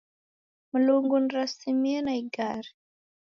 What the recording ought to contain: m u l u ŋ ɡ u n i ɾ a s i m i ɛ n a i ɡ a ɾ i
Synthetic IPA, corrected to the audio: m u l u ŋ ɡ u n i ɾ a s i m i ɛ n a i ɡ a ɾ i